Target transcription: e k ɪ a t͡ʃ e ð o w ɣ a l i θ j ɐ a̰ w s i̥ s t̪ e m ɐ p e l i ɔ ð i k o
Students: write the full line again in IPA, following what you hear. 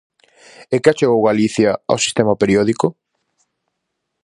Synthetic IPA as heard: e k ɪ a t͡ʃ e ɣ o w ɣ a l i θ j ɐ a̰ w s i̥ s t̪ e m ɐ p e ɾ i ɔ ð i k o

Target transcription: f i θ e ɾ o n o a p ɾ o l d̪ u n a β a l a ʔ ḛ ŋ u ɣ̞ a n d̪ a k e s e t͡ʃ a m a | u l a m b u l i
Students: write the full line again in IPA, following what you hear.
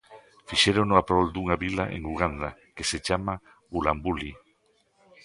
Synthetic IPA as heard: f i ʃ e ɾ o n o a p ɾ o l d̪ u ŋ a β i l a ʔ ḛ ŋ u ɣ̞ a n d̪ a k e s e t͡ʃ a m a | u l a m b u l i

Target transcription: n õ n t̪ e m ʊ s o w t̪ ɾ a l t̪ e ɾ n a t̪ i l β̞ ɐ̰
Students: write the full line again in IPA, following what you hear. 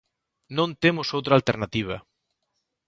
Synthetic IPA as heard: n õ n t̪ e m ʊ s o w t̪ ɾ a l t̪ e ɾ n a t̪ i β̞ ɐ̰

